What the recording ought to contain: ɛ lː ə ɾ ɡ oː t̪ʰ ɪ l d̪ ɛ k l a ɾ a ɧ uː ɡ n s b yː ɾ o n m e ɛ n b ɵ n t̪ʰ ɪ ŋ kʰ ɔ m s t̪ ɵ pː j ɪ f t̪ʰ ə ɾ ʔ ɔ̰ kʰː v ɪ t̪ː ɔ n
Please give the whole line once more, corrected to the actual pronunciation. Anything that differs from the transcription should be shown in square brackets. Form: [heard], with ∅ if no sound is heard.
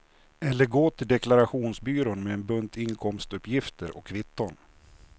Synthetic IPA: ɛ lː ə ɾ ɡ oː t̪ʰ ɪ l d̪ ɛ k l a ɾ a ɧ uː [∅] n s b yː ɾ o n m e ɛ n b ɵ n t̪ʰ ɪ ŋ kʰ ɔ m s t̪ ɵ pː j ɪ f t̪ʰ ə ɾ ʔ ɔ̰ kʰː v ɪ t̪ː ɔ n

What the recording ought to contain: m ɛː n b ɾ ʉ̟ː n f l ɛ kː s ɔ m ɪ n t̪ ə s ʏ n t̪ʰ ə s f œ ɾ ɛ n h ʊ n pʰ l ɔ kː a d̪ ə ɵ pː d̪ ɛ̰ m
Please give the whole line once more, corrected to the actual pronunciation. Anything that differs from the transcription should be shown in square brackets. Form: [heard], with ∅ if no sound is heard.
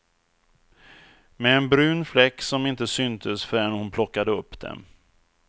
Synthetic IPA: m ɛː n b ɾ ʉ̟ː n f l ɛ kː s ɔ m ɪ n t̪ ə s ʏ n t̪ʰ ə s f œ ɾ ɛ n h ʊ n pʰ l ɔ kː a d̪ ə ɵ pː d̪ ɛ̰ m

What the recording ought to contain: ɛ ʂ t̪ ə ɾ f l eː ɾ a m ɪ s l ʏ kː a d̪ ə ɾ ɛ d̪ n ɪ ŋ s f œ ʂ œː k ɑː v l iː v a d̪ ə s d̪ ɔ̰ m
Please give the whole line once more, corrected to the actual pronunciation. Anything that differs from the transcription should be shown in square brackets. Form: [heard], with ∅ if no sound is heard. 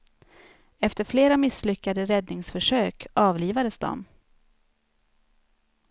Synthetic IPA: ɛ [f] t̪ ə ɾ f l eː ɾ a m ɪ s l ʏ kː a d̪ ə ɾ ɛ d̪ n ɪ ŋ s f œ ʂ [øː] k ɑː v l iː v a d̪ ə s d̪ ɔ̰ m

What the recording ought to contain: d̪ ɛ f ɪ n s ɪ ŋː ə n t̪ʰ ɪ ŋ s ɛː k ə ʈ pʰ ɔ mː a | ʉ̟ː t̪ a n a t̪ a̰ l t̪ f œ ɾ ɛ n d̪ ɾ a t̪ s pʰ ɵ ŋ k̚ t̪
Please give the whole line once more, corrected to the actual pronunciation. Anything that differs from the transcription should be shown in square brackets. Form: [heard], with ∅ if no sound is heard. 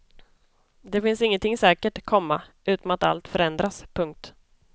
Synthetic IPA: d̪ ɛ f ɪ n s ɪ ŋː ə n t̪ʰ ɪ ŋ s ɛː k ə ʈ [kʰ] ɔ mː a | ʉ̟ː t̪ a [m] a t̪ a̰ l t̪ f œ ɾ ɛ n d̪ ɾ a [∅] s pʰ ɵ ŋ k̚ t̪

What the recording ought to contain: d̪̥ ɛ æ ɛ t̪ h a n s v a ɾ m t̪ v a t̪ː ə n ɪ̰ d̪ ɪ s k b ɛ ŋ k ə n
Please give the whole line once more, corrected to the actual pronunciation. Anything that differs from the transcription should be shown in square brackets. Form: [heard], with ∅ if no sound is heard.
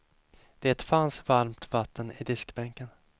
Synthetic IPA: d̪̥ ɛ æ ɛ t̪ [f] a n s v a ɾ m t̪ v a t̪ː ə n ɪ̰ d̪ ɪ s k b ɛ ŋ k ə n

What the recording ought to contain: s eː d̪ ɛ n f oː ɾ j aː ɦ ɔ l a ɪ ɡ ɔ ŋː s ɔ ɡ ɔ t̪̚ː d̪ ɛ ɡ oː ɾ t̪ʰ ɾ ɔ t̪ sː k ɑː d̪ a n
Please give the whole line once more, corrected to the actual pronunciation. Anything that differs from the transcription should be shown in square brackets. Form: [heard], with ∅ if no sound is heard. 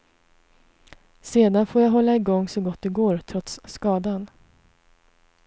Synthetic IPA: s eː d̪ [a] n f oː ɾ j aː ɦ ɔ [lː] a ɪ ɡ ɔ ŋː s ɔ ɡ ɔ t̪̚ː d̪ ɛ ɡ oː ɾ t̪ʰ ɾ ɔ t̪ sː k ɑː d̪ a n

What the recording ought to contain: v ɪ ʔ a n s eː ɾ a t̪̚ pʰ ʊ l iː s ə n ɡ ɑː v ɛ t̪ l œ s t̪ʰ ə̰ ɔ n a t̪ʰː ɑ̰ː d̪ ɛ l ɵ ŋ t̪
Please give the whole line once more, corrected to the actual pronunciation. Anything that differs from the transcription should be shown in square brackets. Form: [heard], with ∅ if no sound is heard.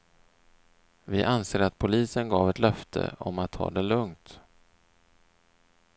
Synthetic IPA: v ɪ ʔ a n s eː ɾ a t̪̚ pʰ ʊ l iː s ə n ɡ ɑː v ɛ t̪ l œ [f] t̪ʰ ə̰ ɔ [m] a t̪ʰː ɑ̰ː d̪ ɛ l ɵ ŋ t̪

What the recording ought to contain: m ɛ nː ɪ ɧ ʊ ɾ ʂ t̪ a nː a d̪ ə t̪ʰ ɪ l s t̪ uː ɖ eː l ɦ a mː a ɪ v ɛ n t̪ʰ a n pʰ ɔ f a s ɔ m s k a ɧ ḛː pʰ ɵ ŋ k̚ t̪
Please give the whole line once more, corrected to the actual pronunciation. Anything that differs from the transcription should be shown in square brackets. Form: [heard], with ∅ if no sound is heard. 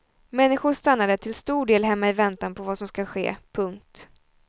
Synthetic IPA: m ɛ nː ɪ ɧ ʊ ɾ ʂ t̪ a nː a d̪ ə t̪ʰ ɪ l s t̪ uː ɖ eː l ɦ [ɛ] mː a ɪ v ɛ n [t̪] a n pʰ ɔ [v] a s ɔ m s k a ɧ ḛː pʰ ɵ ŋ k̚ t̪

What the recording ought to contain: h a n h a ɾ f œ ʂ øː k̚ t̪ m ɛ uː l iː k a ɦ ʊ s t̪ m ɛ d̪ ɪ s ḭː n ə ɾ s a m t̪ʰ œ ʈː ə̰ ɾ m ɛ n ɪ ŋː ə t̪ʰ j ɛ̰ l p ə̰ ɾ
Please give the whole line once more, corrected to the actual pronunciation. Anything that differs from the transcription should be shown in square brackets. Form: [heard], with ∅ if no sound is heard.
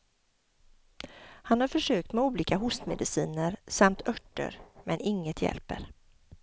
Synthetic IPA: h a n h a ɾ f œ ʂ øː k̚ t̪ m ɛ uː l iː k a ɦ ʊ s t̪ m ɛ d̪ ɪ s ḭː n ə ɾ s a m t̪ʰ œ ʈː ə̰ ɾ m ɛ n ɪ ŋː ə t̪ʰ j ɛ̰ l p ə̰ ɾ

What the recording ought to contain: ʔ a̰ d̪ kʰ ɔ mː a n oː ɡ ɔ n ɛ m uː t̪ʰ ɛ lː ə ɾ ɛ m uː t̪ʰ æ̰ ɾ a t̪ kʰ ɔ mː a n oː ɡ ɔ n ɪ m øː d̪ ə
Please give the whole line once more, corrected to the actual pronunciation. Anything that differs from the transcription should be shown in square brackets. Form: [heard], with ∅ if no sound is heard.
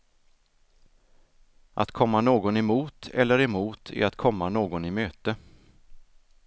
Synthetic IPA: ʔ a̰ [t̪] kʰ ɔ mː a n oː ɡ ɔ n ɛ m uː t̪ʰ ɛ lː ə ɾ ɛ m uː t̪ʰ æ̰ ɾ a t̪ kʰ ɔ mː a n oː ɡ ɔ n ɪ m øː [t̪] ə

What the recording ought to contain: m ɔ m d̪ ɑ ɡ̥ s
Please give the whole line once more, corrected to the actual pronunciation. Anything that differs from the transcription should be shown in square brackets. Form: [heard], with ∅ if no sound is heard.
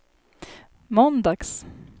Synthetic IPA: m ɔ [n] d̪ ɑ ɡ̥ s

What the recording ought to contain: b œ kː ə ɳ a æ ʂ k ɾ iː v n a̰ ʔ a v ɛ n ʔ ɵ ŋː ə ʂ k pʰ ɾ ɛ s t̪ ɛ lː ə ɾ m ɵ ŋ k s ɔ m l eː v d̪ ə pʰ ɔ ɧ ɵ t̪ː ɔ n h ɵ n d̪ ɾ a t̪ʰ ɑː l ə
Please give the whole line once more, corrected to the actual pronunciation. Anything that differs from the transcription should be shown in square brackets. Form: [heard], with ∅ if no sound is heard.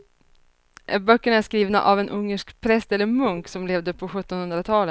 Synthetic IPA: b œ kː ə ɳ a æ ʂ k ɾ iː v n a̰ ʔ a v ɛ n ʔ ɵ ŋː ə ʂ k pʰ ɾ ɛ s t̪ ɛ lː ə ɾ m ɵ ŋ k s ɔ m l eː v d̪ ə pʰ ɔ ɧ ɵ t̪ː ɔ n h ɵ n d̪ ɾ a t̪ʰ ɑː l ə

